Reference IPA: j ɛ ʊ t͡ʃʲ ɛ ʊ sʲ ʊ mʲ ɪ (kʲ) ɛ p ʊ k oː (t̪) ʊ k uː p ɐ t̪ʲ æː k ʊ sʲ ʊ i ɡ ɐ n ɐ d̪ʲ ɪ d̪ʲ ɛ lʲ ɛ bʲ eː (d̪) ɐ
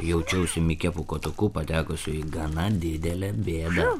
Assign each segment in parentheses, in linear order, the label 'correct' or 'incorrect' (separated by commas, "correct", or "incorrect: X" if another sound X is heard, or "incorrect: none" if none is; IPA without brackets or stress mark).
correct, correct, correct